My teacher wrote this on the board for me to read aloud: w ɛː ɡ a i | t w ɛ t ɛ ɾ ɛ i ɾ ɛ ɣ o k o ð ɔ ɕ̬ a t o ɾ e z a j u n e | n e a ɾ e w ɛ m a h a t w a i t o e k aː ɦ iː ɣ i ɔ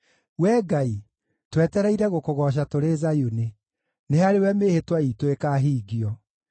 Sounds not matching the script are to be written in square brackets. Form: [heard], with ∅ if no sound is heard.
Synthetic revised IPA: w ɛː ɡ a i | t w ɛ t ɛ ɾ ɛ i ɾ ɛ ɣ o k o [ɣ] ɔ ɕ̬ a t o ɾ e z a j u n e | n e a ɾ e w ɛ m [e] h [e] t w a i t o e k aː ɦ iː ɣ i ɔ